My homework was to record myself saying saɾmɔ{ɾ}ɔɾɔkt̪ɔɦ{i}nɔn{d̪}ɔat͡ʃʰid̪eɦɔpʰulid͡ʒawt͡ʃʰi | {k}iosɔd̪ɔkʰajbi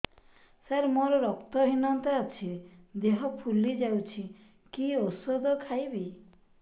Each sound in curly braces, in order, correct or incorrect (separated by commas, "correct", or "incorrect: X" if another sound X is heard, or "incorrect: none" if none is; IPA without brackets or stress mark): correct, correct, incorrect: t̪, correct